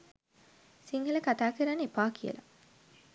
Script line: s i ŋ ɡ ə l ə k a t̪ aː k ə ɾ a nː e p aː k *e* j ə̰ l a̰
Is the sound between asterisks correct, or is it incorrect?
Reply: incorrect